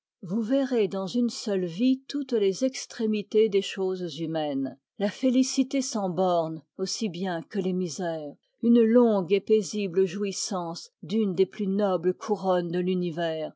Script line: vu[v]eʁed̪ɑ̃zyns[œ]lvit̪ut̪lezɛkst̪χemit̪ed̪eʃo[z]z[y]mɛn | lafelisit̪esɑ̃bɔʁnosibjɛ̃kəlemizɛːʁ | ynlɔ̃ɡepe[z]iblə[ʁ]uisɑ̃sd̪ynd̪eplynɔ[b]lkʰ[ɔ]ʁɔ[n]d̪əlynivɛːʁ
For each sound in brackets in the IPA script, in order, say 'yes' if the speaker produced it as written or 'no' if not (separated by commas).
yes, yes, yes, yes, yes, no, yes, no, yes